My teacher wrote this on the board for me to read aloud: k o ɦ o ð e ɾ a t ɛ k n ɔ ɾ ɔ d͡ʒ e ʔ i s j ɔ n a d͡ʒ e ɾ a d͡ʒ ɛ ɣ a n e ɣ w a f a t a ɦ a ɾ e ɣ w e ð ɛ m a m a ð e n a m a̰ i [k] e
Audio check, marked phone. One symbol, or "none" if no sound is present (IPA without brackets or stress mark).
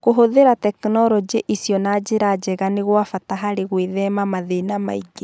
ɡ